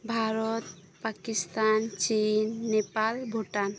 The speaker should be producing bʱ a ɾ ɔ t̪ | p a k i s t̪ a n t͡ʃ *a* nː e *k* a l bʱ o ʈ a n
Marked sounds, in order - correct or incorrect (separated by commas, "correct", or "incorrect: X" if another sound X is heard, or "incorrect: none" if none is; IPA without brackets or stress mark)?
incorrect: i, incorrect: p